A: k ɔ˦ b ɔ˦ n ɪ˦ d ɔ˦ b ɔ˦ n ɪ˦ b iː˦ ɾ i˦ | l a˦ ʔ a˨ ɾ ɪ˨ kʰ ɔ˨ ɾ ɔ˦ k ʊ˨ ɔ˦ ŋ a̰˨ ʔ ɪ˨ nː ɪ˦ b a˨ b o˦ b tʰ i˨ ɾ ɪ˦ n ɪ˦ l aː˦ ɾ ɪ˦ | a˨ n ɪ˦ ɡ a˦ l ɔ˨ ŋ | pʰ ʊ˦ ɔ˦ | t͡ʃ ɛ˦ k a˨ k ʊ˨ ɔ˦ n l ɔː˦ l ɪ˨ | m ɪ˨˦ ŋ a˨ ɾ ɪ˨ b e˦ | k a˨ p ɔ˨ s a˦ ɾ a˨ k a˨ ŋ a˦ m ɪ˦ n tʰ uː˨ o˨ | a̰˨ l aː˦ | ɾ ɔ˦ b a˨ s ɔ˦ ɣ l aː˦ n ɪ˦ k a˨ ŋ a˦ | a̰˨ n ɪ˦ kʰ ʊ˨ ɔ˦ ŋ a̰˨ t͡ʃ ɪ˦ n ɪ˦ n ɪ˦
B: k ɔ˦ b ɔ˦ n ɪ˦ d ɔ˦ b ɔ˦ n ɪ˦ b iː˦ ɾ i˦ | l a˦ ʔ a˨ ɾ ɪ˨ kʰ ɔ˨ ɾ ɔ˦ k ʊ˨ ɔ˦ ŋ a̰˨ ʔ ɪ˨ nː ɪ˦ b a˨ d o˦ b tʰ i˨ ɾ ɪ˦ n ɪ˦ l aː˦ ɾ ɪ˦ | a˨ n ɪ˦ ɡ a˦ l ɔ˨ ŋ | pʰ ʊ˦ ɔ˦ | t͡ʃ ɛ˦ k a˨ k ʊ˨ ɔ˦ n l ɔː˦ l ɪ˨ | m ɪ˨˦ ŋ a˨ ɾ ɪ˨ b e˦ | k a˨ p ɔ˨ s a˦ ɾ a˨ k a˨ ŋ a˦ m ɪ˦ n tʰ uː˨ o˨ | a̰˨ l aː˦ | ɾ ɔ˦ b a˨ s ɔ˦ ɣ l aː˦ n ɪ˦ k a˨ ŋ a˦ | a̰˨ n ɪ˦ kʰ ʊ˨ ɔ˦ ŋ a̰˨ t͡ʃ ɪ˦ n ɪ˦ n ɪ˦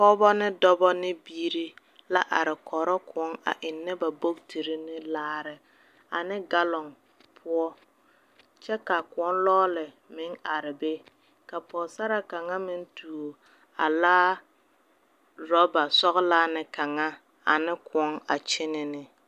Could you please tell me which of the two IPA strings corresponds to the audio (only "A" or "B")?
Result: A